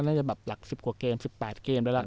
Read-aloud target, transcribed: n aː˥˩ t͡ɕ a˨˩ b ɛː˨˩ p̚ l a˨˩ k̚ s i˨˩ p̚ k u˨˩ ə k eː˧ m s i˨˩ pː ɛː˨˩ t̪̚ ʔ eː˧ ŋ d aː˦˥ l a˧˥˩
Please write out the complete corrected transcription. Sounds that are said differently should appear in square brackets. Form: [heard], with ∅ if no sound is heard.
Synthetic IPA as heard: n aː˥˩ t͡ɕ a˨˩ b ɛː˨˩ p̚ l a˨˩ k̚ s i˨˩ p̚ k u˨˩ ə k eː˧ m s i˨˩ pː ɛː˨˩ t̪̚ [k] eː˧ [m] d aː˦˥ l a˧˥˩